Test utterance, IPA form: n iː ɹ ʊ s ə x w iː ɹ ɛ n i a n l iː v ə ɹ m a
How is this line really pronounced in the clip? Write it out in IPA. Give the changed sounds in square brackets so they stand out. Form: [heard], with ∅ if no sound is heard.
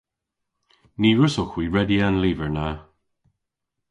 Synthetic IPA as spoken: n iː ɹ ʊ s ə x w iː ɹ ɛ [d] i a n l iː v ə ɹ [n] a